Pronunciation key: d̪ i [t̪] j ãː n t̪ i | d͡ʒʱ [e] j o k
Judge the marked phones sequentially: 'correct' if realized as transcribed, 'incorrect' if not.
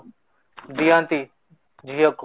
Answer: incorrect, incorrect

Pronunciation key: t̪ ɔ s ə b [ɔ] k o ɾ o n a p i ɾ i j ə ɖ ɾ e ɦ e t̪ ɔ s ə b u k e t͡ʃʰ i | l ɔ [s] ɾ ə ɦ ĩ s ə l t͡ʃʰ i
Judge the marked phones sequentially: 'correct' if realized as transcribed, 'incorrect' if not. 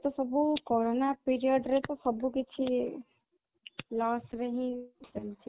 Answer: incorrect, correct

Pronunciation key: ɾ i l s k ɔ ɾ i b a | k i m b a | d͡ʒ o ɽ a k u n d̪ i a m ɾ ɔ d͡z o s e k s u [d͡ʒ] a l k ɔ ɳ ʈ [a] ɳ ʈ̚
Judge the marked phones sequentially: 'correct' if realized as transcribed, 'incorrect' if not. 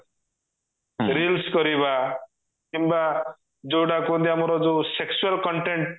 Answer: incorrect, incorrect

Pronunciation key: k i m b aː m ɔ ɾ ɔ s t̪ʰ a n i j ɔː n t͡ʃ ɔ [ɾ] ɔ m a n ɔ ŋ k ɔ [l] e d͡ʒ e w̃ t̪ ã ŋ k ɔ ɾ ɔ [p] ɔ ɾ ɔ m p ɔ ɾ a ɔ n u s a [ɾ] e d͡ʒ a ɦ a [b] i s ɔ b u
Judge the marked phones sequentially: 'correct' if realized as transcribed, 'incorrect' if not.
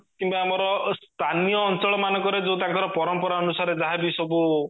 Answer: incorrect, incorrect, correct, correct, correct

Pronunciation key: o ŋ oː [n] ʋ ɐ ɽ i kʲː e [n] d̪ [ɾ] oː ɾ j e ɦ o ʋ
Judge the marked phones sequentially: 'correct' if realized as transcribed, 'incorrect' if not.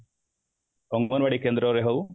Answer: correct, correct, correct

